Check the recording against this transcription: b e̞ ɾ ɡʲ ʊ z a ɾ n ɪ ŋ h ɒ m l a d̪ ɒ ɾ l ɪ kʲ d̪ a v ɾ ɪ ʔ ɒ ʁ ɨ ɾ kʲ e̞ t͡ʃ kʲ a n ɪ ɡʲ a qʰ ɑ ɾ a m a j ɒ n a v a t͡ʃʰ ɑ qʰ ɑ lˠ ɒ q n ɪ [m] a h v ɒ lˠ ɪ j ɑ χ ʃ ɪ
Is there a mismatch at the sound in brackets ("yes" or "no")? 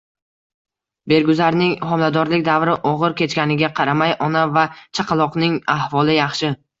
yes